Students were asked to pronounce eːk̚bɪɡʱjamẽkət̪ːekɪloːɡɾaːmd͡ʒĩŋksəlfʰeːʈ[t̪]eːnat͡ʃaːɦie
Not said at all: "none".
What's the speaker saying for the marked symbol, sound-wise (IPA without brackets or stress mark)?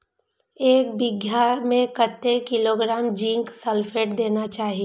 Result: d̪